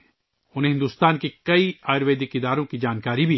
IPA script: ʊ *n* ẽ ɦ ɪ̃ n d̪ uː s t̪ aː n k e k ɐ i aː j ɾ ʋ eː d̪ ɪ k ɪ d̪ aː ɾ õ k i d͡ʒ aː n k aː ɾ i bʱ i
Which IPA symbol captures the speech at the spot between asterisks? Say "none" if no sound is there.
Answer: n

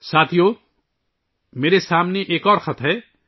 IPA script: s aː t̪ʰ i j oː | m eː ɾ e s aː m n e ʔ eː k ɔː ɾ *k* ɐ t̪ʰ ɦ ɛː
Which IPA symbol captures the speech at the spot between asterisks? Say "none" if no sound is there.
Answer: x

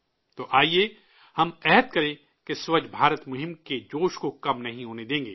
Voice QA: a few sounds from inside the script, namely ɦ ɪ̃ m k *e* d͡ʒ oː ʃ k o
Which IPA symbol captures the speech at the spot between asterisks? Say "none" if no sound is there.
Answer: e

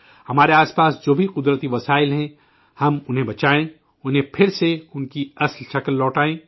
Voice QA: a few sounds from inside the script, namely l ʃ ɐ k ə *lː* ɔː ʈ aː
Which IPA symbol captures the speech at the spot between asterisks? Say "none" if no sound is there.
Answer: lː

